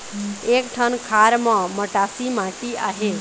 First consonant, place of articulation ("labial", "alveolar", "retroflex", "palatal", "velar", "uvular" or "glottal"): velar